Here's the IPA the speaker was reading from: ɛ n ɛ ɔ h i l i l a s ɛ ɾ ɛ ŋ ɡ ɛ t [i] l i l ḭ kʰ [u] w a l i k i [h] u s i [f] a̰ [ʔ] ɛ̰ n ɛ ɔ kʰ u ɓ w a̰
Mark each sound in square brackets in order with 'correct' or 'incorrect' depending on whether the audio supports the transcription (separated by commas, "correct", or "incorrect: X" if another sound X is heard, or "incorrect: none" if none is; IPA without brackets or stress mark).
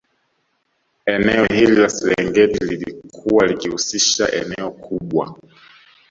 correct, correct, correct, incorrect: ʃ, correct